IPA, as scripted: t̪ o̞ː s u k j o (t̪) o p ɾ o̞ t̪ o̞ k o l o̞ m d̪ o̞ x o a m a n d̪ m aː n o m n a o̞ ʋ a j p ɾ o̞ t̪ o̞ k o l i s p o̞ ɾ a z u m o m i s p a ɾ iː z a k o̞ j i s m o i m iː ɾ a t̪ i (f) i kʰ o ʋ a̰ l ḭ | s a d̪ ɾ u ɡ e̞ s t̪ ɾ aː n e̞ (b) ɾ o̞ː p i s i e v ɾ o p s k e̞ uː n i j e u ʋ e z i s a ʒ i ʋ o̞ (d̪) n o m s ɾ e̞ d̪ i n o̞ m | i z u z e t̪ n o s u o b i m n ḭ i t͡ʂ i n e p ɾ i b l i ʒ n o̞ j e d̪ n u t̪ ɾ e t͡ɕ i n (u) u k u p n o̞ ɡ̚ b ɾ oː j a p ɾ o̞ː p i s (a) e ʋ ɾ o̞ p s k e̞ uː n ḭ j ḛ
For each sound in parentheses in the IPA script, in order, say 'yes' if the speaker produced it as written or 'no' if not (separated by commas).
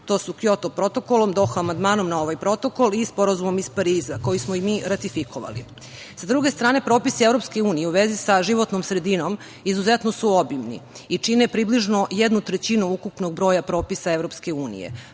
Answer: yes, yes, no, no, yes, yes